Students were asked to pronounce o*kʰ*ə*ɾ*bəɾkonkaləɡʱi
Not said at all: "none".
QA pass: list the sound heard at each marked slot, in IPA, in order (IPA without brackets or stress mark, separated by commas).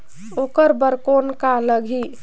k, ɾ